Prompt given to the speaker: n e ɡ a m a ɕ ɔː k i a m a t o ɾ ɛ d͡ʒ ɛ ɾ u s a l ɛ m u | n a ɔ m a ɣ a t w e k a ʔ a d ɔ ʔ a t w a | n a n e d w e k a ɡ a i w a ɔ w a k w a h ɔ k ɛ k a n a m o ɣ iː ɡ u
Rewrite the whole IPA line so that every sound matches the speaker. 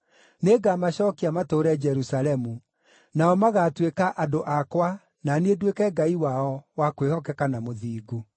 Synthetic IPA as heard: n e ɡ a m a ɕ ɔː k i a m a t o ɾ ɛ d͡ʒ ɛ ɾ u s a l ɛ m u | n a ɔ m a ɣ a t w e k a ʔ a d o ʔ a k w a | n a n e d w e k ɛ ɡ a i w a ɔ w a k w e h ɔ k ɛ k a n a m o ð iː ɡ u